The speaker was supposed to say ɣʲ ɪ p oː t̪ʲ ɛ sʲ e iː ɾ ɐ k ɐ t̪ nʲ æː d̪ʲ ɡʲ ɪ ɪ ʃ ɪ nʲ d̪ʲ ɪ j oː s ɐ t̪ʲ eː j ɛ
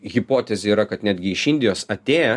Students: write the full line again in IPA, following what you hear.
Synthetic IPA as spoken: ɣʲ ɪ p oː t̪ʲ ɛ zʲ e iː ɾ ɐ k ɐ t̪ nʲ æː d̪ʲ ɡʲ ɪ ɪ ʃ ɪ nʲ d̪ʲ ɪ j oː s ɐ t̪ʲ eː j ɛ